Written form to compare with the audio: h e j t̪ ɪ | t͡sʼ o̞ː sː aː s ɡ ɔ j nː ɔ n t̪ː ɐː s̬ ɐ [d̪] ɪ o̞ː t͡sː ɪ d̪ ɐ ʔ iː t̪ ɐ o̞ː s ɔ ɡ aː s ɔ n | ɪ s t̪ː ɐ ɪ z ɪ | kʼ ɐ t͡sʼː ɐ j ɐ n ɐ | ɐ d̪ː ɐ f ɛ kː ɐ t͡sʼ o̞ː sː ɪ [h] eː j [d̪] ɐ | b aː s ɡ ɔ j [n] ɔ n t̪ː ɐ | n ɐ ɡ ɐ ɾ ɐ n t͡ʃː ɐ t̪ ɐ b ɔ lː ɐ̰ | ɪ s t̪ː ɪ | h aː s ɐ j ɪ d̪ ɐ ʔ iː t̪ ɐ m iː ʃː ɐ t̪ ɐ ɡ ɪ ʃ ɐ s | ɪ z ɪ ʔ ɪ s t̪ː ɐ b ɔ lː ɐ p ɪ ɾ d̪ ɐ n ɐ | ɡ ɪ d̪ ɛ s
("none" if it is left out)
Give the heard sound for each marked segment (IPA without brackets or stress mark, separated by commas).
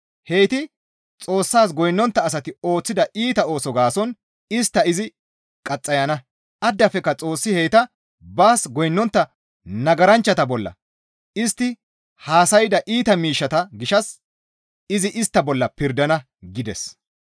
t̪, h, t̪, nː